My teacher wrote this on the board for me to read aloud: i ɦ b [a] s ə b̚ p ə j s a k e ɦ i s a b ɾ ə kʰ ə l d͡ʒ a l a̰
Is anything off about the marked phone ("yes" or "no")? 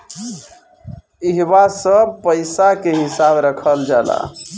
no